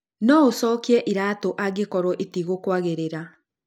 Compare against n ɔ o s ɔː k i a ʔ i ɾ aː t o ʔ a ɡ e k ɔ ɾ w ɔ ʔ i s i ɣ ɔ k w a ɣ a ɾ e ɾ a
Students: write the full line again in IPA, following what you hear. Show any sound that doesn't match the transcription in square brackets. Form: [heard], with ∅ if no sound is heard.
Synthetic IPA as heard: n ɔ o s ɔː k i [ɛ] ʔ i ɾ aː t o ʔ a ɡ e k ɔ ɾ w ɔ ʔ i [t] i ɣ [o] k w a ɣ [e] ɾ e ɾ a